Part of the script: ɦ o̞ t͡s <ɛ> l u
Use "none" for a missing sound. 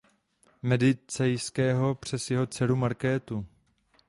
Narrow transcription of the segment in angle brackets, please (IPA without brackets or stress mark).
ɛ